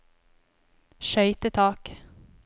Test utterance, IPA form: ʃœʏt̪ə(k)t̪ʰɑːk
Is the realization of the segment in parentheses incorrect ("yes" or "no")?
yes